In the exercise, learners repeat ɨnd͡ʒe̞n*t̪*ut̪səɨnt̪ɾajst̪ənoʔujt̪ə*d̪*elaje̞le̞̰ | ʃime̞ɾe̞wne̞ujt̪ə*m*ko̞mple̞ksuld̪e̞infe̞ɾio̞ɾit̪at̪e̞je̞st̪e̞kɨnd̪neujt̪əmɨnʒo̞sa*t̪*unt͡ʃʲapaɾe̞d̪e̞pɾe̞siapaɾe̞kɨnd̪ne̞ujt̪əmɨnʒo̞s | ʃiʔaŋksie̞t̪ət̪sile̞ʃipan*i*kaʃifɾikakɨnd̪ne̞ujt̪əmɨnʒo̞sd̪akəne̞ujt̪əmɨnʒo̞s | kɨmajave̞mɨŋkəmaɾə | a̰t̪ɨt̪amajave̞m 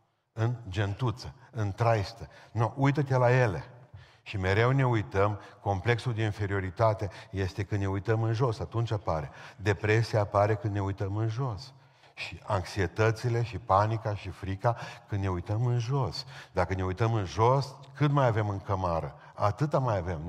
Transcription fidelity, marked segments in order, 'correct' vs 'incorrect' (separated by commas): correct, incorrect, correct, correct, correct